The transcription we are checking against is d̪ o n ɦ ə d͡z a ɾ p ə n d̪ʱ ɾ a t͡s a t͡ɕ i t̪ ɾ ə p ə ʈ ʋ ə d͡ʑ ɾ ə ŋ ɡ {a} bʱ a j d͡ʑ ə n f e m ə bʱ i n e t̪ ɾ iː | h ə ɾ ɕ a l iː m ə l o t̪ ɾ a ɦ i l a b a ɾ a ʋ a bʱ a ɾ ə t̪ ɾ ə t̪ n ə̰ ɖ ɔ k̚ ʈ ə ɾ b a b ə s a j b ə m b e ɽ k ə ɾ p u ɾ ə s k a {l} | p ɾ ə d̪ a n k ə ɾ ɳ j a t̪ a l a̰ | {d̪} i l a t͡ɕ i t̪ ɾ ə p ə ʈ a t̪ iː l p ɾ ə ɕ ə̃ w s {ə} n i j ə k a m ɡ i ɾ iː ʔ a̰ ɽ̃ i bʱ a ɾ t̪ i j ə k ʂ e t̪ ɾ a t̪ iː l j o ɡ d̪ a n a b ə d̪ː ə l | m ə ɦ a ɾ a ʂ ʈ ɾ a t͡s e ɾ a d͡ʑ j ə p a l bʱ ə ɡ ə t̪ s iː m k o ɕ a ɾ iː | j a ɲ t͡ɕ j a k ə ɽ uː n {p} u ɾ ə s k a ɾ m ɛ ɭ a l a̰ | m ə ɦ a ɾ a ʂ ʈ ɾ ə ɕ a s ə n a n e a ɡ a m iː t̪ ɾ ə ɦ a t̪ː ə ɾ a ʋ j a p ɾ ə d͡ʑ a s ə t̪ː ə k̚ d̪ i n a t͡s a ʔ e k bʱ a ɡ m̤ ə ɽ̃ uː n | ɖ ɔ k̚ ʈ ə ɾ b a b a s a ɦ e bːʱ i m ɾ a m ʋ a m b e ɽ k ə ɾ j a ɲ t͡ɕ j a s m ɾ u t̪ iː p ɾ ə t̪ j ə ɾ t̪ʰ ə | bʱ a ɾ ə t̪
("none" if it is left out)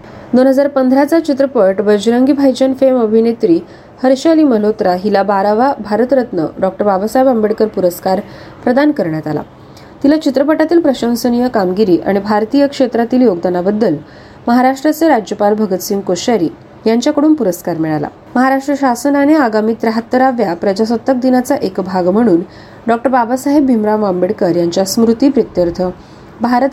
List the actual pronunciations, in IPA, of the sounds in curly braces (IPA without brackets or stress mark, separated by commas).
i, ɾ, t̪, ə, p